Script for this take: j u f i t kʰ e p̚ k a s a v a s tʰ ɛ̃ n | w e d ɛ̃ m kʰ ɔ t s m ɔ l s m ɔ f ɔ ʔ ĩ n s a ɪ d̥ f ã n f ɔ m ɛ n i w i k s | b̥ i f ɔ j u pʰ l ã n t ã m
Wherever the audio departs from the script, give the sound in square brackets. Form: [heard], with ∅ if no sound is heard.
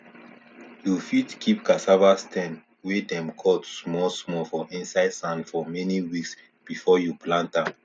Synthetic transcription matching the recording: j u f i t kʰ [i] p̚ k a s a v a s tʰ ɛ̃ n | w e d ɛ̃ m kʰ ɔ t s m ɔ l s m ɔ f ɔ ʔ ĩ n s a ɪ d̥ [s] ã n f ɔ m ɛ n i w i k s | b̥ i f ɔ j u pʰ l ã n t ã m